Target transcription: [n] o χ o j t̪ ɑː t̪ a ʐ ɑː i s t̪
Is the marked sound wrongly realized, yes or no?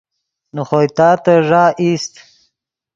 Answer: no